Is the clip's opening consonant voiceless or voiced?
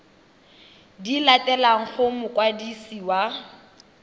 voiced